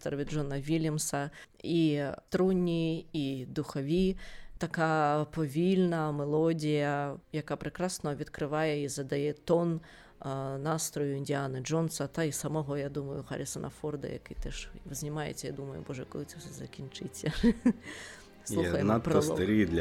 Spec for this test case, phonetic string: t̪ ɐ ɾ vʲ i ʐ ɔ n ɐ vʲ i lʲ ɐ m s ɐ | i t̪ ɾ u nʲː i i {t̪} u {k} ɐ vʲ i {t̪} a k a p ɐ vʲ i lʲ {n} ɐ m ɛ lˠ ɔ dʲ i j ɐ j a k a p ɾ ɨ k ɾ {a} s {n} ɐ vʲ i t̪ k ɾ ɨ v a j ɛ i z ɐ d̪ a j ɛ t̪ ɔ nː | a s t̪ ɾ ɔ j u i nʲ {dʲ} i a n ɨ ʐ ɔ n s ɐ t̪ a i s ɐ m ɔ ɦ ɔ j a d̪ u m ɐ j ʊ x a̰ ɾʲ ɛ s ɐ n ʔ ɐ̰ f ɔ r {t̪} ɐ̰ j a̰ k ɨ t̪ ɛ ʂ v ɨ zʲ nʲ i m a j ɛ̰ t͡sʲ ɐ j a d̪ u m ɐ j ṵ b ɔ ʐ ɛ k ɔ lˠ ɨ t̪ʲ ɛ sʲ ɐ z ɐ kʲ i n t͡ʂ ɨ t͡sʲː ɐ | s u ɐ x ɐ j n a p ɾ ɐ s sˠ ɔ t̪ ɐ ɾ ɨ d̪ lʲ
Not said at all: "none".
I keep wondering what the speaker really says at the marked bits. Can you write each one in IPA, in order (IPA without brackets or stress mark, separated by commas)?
d̪, x, t̪, n, a, n, dʲ, d̪